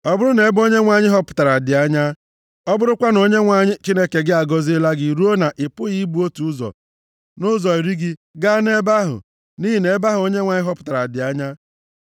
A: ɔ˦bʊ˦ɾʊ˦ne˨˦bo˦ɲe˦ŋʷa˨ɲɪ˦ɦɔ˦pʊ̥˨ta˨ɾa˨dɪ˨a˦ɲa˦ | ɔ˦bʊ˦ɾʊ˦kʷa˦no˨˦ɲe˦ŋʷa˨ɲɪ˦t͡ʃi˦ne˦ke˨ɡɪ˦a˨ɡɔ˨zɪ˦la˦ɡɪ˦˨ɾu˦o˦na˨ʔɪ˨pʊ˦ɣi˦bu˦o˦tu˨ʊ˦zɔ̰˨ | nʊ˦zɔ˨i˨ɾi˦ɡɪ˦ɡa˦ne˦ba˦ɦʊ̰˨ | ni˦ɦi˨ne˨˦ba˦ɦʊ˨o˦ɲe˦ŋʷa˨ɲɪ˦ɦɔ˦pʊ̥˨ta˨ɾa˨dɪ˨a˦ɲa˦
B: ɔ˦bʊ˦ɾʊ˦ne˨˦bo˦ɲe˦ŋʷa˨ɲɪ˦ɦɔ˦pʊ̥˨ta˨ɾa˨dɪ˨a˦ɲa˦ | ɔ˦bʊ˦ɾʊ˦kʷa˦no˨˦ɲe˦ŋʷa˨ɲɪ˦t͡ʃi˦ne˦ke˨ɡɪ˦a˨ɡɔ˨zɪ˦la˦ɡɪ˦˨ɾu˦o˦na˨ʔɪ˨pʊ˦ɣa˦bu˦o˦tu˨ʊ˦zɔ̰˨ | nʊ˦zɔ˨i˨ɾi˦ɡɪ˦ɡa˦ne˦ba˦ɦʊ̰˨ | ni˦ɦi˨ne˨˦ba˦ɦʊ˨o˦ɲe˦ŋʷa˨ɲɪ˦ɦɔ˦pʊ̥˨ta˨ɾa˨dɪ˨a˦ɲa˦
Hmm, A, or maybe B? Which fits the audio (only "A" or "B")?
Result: A